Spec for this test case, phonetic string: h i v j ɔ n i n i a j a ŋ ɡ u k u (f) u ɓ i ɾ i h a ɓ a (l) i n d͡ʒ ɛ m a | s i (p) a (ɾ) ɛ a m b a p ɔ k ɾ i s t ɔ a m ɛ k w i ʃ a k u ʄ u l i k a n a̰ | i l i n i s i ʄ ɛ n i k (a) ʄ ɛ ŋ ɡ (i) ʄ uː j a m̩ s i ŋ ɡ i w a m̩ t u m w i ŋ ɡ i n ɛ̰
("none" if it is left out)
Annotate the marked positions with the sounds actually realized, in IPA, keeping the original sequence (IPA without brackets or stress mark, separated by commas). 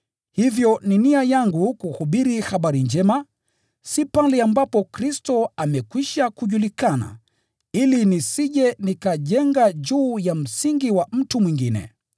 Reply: h, ɾ, p, l, a, a